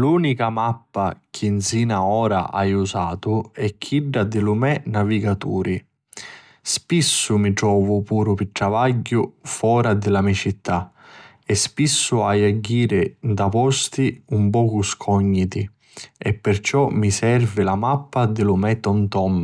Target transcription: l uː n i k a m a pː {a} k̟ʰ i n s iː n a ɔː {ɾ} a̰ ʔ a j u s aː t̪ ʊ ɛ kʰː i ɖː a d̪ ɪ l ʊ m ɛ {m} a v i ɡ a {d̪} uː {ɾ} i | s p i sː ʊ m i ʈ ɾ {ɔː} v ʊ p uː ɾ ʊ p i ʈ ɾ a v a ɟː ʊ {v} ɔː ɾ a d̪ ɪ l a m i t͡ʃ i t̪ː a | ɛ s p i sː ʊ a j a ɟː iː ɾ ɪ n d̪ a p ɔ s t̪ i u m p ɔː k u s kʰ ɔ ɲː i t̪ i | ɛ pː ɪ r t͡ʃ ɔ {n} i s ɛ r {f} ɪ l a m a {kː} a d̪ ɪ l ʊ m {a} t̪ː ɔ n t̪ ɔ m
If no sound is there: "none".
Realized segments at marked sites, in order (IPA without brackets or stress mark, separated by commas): a, ɾ, n, t̪, ɾ, ɔː, f, m, v, pː, ɛ